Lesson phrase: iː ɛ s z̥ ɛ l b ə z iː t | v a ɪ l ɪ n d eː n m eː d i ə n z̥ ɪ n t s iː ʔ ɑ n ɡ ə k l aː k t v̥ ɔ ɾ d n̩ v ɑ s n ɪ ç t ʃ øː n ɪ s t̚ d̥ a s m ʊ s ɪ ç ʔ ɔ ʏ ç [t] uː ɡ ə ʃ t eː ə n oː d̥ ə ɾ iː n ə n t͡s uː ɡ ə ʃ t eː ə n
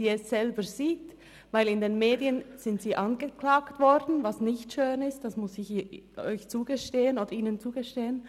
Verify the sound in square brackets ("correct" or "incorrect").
incorrect